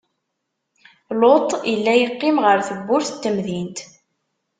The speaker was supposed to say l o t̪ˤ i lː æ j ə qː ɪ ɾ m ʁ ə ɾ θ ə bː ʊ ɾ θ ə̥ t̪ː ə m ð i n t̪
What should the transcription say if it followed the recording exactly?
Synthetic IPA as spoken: l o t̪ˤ i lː æ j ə qː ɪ m ʁ ə ɾ θ ə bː ʊ ɾ θ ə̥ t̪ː ə m ð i n t̪